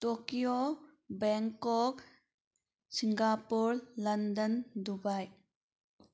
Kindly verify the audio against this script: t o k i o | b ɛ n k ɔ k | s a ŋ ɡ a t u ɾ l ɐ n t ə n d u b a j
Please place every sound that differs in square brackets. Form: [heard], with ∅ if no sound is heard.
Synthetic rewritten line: t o k i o | b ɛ [ŋ] k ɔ k | s [i] ŋ ɡ a [p] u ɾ l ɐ n [d] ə n d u b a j